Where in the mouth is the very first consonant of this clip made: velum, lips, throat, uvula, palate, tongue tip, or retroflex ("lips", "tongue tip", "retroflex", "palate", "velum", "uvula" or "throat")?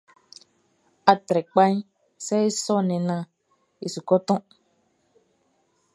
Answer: tongue tip